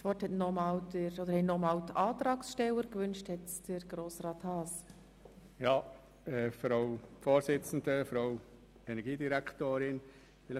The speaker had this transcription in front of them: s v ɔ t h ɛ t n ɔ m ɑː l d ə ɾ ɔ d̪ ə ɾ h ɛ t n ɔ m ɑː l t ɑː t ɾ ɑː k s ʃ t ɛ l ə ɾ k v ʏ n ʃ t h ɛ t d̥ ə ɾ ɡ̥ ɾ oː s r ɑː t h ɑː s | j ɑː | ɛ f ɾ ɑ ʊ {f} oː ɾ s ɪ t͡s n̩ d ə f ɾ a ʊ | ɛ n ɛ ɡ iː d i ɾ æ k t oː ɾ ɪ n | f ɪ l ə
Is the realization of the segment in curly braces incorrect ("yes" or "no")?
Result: no